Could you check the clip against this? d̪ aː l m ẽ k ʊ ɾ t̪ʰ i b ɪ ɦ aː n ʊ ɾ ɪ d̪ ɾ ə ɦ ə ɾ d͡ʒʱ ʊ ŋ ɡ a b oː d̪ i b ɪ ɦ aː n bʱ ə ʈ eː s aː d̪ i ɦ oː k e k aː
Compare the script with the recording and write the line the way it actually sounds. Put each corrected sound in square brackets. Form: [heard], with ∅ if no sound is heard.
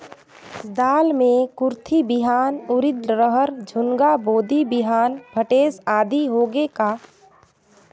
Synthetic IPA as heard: d̪ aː l m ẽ k ʊ ɾ t̪ʰ i b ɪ ɦ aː n ʊ ɾ ɪ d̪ ɾ ə ɦ ə ɾ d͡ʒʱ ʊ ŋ ɡ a b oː d̪ i b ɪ ɦ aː n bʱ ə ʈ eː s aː d̪ i ɦ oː [ɡ] e k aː